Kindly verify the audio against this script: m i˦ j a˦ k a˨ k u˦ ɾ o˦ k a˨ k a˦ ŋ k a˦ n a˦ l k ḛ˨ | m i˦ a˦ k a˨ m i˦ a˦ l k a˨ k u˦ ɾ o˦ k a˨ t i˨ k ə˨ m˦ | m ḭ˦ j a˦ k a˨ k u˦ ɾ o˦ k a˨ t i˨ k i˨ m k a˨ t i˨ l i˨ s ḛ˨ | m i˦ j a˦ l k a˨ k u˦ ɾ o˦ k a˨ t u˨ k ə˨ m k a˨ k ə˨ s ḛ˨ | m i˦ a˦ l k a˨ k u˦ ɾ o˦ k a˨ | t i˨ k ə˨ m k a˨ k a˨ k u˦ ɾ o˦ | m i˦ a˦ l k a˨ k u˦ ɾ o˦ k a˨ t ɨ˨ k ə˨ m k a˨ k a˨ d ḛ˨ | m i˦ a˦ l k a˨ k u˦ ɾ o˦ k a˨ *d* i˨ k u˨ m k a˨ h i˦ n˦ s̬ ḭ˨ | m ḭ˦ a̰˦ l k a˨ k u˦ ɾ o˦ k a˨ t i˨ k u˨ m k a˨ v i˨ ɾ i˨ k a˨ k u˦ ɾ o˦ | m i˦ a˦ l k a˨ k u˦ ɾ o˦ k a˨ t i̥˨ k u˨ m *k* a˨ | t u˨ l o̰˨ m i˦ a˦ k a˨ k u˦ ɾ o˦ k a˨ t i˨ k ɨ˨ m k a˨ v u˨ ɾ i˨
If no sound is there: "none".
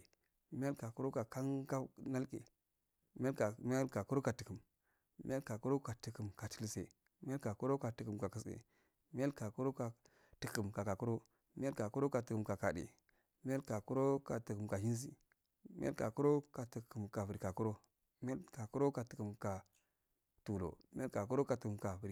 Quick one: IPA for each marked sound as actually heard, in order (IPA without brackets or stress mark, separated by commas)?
t, k